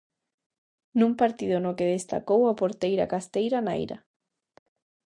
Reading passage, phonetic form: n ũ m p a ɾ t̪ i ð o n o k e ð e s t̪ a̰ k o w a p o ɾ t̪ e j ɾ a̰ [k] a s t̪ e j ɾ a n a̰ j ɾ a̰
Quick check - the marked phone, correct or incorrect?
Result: correct